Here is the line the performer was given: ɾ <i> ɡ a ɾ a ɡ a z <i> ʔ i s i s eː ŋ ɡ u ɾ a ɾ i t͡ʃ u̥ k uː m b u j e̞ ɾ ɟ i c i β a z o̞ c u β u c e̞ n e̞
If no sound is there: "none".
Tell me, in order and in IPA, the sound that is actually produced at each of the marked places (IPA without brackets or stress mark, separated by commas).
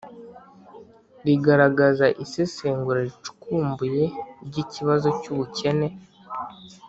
i, a